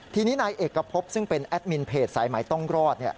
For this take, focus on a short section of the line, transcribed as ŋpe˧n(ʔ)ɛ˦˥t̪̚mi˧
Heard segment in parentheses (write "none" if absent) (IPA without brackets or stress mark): ʔ